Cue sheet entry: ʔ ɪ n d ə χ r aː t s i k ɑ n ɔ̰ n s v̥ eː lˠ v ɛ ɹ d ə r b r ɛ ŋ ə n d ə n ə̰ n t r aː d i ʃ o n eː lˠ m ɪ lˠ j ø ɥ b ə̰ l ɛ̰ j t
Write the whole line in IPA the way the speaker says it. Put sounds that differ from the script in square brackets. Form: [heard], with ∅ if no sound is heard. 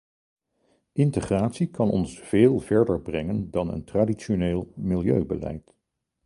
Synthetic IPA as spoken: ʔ ɪ n [t] ə χ r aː t s i k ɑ n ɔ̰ n s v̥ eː lˠ v ɛ ɹ d ə [ɹ] b r ɛ ŋ ə n d [ɑ] n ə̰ n t r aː d i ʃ o n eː lˠ m ɪ lˠ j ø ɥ b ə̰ l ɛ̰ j t